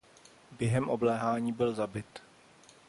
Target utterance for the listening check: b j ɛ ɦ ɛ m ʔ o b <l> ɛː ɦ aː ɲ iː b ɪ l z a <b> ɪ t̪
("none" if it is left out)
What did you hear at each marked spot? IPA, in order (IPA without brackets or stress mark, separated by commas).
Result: l, b